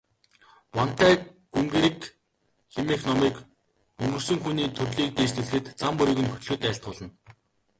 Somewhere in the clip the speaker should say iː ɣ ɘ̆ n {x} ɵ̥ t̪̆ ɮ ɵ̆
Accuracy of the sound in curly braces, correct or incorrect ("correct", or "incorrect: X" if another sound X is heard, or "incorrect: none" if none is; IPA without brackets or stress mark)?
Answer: correct